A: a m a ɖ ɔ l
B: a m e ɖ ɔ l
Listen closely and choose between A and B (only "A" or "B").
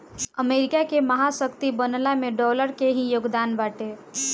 B